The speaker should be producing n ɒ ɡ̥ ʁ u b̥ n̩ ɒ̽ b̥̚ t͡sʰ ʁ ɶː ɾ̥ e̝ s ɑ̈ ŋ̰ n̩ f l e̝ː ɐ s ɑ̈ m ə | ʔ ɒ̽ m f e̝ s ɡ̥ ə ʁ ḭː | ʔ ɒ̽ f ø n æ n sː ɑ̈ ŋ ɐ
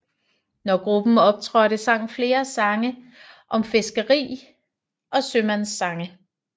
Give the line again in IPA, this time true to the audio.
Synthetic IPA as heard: n ɒ ɡ̥ ʁ u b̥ n̩ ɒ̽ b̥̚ t͡sʰ ʁ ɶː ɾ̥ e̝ s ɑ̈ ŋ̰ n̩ f l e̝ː ɐ s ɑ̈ ŋ ə | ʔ ɒ̽ m f e̝ s ɡ̥ ə ʁ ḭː | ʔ ɒ̽ s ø m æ n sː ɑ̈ ŋ ə